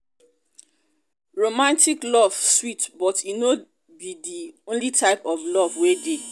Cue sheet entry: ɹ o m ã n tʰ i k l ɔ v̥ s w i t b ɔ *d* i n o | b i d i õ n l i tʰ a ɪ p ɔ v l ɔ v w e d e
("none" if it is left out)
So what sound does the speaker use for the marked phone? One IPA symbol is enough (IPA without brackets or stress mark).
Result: t